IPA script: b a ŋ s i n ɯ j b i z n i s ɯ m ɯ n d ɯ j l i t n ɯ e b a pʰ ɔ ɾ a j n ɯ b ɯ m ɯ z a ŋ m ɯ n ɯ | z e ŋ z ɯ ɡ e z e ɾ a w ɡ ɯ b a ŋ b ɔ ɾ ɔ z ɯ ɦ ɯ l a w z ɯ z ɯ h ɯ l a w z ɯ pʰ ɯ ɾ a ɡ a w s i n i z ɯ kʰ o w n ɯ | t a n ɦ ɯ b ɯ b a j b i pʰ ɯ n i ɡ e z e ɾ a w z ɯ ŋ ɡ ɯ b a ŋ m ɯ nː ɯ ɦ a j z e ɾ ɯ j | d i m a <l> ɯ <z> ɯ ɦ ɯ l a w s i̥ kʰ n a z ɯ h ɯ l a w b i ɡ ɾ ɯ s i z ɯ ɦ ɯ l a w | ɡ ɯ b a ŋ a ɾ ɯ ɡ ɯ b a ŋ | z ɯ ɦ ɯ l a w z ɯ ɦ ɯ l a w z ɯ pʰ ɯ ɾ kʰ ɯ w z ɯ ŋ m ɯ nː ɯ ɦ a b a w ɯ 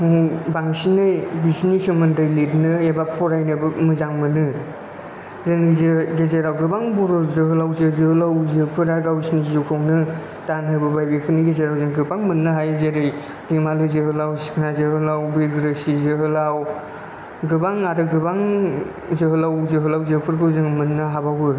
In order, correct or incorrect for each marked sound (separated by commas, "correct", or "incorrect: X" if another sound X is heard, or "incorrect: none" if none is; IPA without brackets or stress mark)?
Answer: correct, correct